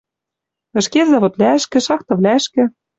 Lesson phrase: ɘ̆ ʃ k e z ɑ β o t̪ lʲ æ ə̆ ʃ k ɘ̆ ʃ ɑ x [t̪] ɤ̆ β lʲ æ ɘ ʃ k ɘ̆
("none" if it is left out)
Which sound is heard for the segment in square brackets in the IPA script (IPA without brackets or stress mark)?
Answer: t̪